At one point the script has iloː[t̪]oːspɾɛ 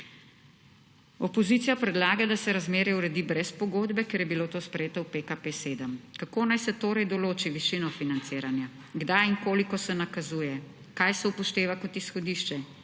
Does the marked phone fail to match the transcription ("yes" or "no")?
no